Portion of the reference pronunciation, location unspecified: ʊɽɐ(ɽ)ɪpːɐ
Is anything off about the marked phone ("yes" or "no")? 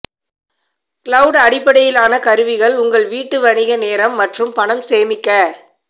no